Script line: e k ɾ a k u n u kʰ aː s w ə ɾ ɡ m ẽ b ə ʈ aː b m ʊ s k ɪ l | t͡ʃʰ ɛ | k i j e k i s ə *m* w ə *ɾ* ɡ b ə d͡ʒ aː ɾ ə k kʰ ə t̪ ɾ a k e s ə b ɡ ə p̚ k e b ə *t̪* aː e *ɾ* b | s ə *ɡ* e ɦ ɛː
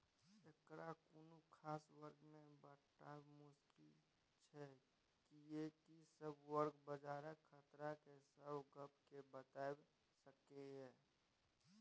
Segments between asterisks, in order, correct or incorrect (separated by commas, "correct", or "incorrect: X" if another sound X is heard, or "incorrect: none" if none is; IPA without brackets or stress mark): incorrect: b, correct, correct, incorrect: none, incorrect: k